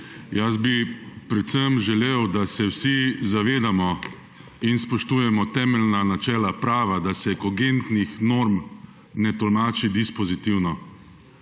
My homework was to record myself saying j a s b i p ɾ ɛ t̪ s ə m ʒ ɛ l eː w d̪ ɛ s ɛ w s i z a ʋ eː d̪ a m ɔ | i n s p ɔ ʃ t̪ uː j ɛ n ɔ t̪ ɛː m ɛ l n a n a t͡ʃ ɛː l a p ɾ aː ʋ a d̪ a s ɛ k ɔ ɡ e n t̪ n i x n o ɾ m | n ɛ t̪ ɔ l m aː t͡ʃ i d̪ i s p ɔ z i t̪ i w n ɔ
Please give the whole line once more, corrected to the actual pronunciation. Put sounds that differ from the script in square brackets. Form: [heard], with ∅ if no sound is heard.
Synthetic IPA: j a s b i p ɾ ɛ t̪ s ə m ʒ ɛ l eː w d̪ [a] s ɛ w s i z a ʋ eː d̪ a m ɔ | i n s p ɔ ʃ t̪ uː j ɛ [m] ɔ t̪ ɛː m ɛ l n a n a t͡ʃ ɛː l a p ɾ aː ʋ a d̪ a s ɛ k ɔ ɡ e n t̪ n i x n o ɾ m | n ɛ t̪ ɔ l m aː t͡ʃ i d̪ i s p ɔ z i t̪ i w n ɔ

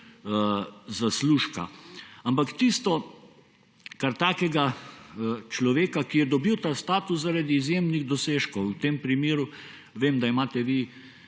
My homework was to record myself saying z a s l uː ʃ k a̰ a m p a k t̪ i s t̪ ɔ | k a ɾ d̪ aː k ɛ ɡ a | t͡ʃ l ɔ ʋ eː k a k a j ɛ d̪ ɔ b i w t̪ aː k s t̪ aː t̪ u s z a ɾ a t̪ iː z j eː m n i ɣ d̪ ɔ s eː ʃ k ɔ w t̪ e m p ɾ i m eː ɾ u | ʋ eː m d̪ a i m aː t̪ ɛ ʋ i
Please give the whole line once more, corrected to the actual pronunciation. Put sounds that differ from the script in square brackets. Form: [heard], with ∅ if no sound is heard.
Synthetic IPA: z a s l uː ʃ k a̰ a m p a k t̪ i s t̪ ɔ | k a ɾ [t̪] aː k ɛ ɡ a | t͡ʃ l ɔ ʋ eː k a k [i] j ɛ d̪ ɔ b i w t̪ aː [∅] s t̪ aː t̪ u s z a ɾ a [d̪] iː z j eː m n i ɣ d̪ ɔ s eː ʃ k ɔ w t̪ e m p ɾ i m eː ɾ u | ʋ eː m d̪ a i m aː t̪ ɛ ʋ i

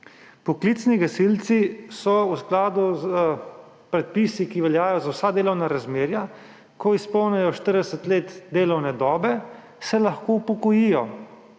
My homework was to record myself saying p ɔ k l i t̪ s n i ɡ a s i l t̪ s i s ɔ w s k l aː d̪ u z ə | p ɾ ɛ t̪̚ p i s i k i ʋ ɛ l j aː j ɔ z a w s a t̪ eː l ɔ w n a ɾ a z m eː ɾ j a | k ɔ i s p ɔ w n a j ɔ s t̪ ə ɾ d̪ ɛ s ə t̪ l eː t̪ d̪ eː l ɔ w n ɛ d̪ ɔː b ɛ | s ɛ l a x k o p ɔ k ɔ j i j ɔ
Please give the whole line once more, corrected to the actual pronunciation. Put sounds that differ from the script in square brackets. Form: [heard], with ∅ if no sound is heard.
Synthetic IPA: p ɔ k l i t̪ s n i ɡ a s i l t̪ s i s ɔ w s k l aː d̪ u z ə | p ɾ ɛ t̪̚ p i s i k i ʋ ɛ l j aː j ɔ z a w s a [d̪] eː l ɔ w n a ɾ a z m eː ɾ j a | k ɔ i s p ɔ w n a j ɔ [ʃ] t̪ ə ɾ d̪ ɛ s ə t̪ l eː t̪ d̪ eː l ɔ w n ɛ d̪ ɔː b ɛ | s ɛ l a x k o p ɔ k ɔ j i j ɔ

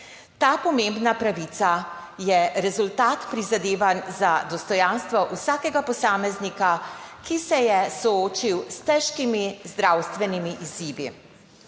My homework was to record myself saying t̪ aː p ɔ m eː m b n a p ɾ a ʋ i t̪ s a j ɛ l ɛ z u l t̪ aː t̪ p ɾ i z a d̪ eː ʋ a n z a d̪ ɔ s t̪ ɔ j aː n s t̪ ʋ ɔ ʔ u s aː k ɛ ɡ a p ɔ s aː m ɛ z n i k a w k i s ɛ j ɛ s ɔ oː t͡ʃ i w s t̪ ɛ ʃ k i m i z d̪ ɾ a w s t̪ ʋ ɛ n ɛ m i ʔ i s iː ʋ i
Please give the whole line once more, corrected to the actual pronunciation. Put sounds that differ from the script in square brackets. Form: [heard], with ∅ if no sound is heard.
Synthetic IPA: t̪ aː p ɔ m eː m b n a p ɾ a ʋ i t̪ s a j ɛ [ɾ] ɛ z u l t̪ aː t̪ p ɾ i z a d̪ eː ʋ a n z a d̪ ɔ s t̪ ɔ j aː n s t̪ ʋ ɔ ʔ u s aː k ɛ ɡ a p ɔ s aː m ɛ z n i k a [∅] k i s ɛ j ɛ s ɔ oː t͡ʃ i w s t̪ ɛ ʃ k i m i z d̪ ɾ a w s t̪ ʋ ɛ n [i] m i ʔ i [z] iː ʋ i

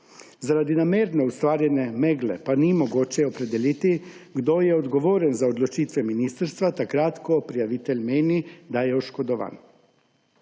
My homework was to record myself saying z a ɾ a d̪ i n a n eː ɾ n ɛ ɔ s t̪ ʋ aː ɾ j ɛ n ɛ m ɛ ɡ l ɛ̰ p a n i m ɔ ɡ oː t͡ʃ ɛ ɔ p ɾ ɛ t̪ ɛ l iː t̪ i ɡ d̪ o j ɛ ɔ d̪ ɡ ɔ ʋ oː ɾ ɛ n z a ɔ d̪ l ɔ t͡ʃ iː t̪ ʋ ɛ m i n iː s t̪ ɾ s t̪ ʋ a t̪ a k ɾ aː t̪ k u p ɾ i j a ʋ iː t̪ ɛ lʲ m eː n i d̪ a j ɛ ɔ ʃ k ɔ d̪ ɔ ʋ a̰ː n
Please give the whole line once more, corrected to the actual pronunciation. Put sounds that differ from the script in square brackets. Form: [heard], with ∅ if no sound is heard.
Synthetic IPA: z a ɾ a d̪ i n a [m] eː ɾ n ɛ [u] s t̪ ʋ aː ɾ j ɛ n ɛ m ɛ ɡ l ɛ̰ p a n i m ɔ ɡ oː t͡ʃ ɛ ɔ p ɾ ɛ [d̪] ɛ l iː t̪ i ɡ d̪ o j ɛ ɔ d̪ ɡ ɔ ʋ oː ɾ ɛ n z a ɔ d̪ l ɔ t͡ʃ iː t̪ ʋ ɛ m i n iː s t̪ ɾ s t̪ ʋ a t̪ a k ɾ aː t̪ k [ɔ] p ɾ i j a ʋ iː t̪ ɛ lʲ m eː n i d̪ a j ɛ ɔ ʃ k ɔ d̪ ɔ ʋ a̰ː n

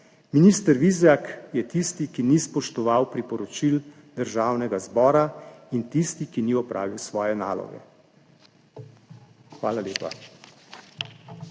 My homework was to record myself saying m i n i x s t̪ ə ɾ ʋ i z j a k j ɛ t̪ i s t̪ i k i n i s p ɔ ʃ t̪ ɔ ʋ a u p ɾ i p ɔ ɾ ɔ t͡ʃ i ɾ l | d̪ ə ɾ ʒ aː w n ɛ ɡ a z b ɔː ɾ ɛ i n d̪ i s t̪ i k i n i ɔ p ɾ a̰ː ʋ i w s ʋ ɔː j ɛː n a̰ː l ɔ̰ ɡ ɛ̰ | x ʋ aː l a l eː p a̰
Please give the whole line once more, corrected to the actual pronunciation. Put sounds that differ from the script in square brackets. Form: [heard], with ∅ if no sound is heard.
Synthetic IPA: m i n i [∅] s t̪ ə ɾ ʋ i z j a k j ɛ t̪ i s t̪ i k i n i s p ɔ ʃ t̪ ɔ ʋ a [w] p ɾ i p ɔ ɾ ɔ t͡ʃ i [∅] l | d̪ ə ɾ ʒ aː w n ɛ ɡ a z b ɔː ɾ [a] i n [t̪] i s t̪ i k i n i ɔ p ɾ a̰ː ʋ i w s ʋ ɔː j [ɛ] n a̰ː l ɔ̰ ɡ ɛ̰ | x ʋ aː l a l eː p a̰

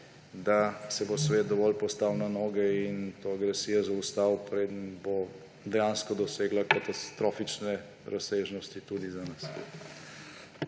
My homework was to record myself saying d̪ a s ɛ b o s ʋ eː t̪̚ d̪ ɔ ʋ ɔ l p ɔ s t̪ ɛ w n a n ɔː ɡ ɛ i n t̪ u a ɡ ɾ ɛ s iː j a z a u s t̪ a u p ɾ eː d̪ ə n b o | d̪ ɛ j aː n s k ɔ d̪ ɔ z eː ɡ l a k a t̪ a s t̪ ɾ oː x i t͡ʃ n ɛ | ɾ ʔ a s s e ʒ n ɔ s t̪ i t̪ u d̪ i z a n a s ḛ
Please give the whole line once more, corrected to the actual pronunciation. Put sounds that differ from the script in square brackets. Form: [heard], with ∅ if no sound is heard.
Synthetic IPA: d̪ a s ɛ b o s ʋ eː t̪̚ d̪ ɔ ʋ ɔ l p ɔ s t̪ [a] w n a n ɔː ɡ ɛ i n t̪ [o] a ɡ ɾ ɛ s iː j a z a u s t̪ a [w] p ɾ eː d̪ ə n b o | d̪ ɛ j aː n s k ɔ d̪ ɔ [s] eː ɡ l a k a t̪ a s t̪ ɾ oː [f] i t͡ʃ n ɛ | ɾ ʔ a s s e ʒ n ɔ s t̪ i t̪ u d̪ i z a n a s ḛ

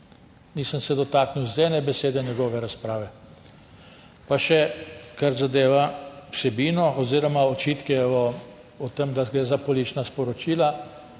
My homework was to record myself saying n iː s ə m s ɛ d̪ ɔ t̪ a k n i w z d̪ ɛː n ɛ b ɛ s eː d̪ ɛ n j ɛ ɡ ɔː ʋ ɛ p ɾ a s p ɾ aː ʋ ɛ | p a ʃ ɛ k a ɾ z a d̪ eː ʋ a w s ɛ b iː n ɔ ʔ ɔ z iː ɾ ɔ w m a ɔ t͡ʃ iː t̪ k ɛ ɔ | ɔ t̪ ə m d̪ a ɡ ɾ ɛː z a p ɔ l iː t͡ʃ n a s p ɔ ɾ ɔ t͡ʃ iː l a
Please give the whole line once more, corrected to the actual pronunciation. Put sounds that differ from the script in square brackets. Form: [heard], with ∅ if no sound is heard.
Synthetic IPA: n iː s ə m s ɛ d̪ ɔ t̪ a k n i w z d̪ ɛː n ɛ b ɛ s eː d̪ ɛ n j ɛ ɡ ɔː ʋ ɛ [∅] ɾ a s p ɾ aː ʋ ɛ | p a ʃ ɛ k a ɾ z a d̪ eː ʋ a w s ɛ b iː n ɔ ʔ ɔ z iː ɾ ɔ [∅] m a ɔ t͡ʃ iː t̪ k ɛ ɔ | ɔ t̪ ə m d̪ a ɡ ɾ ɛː z a p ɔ l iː t͡ʃ n a s p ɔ ɾ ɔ t͡ʃ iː l a

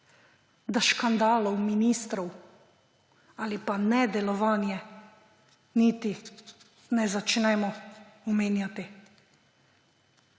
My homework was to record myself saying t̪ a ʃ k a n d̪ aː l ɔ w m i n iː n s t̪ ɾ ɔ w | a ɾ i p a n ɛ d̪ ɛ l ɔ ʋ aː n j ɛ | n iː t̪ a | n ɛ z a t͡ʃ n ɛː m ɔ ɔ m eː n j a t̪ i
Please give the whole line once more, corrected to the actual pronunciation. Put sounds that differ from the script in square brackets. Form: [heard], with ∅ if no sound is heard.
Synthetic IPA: [d̪] a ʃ k a n d̪ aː l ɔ w m i n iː [∅] s t̪ ɾ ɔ w | a [l] i p a n ɛ d̪ ɛ l ɔ ʋ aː n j ɛ | n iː t̪ [i] | n ɛ z a t͡ʃ n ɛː m ɔ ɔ m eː n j a t̪ i

